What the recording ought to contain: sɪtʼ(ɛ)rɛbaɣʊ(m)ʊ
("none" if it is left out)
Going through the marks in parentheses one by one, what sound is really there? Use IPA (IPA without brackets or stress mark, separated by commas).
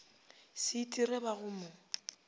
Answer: i, m